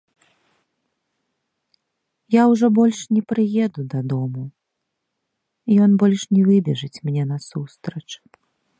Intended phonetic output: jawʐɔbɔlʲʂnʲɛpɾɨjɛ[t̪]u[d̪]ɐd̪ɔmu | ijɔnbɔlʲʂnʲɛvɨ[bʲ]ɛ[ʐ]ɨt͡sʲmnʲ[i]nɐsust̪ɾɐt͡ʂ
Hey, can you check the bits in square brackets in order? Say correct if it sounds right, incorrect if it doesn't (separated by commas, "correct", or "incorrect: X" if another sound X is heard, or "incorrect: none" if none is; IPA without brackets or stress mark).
incorrect: d̪, correct, correct, correct, incorrect: ɛ